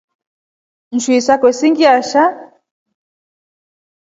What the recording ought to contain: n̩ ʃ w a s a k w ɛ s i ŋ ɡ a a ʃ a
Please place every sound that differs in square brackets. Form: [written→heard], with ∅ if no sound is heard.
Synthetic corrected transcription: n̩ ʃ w [a→i] s a k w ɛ s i ŋ ɡ [a→i] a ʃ a